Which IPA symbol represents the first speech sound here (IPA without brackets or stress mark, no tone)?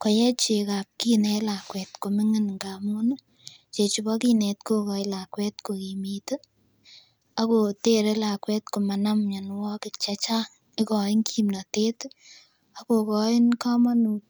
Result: k